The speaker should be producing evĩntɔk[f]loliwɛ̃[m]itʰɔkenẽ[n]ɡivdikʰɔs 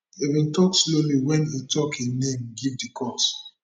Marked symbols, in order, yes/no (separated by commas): no, no, no